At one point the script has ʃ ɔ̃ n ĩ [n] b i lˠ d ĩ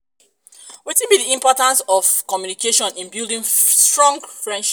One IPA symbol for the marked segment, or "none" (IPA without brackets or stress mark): n